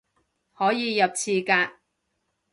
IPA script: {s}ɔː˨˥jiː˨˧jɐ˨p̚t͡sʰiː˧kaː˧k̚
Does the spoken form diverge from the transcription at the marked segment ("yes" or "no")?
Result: yes